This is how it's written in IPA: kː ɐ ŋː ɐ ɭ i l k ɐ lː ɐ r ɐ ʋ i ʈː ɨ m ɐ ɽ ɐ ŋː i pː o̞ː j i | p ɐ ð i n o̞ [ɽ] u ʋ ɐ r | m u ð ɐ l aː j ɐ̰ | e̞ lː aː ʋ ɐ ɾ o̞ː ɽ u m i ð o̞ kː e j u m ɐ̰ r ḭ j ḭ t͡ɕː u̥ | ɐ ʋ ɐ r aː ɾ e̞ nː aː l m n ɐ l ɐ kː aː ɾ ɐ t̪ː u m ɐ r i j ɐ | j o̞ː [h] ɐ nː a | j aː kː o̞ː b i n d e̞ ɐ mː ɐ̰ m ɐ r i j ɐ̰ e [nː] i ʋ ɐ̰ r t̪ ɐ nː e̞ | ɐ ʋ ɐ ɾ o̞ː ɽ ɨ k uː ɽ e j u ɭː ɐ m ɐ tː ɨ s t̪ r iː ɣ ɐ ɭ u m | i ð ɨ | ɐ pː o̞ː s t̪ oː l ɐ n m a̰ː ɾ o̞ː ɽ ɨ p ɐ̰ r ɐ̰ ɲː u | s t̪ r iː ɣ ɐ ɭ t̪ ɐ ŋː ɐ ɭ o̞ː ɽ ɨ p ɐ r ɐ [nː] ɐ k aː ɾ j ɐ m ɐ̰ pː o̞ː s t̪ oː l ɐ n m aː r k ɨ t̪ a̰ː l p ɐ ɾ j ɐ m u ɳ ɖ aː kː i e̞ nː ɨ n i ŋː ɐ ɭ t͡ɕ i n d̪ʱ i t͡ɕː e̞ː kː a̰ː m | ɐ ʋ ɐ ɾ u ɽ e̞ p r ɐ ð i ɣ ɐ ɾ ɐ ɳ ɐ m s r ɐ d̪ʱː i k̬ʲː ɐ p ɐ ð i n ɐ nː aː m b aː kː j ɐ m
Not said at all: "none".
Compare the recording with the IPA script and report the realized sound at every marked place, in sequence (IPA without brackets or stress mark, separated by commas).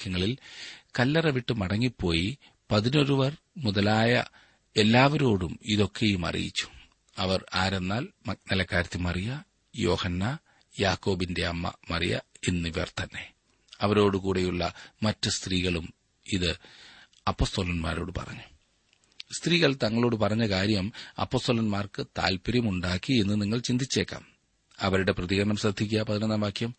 ɾ, h, nː, ɲː